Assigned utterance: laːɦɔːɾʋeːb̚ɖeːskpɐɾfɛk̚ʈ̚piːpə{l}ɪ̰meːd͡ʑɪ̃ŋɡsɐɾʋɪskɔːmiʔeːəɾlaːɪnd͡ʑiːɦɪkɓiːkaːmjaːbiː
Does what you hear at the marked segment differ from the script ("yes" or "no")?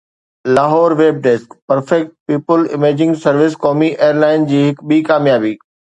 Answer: no